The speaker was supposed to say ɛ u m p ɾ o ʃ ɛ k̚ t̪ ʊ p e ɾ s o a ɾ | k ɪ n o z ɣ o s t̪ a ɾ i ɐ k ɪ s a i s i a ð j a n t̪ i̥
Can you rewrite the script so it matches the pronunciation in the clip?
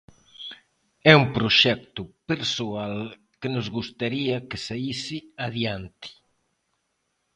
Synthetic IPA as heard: ɛ u m p ɾ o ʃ ɛ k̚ t̪ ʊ p e ɾ s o a l | k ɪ n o z ɣ u s t̪ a ɾ i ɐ k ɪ s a i s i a ð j a n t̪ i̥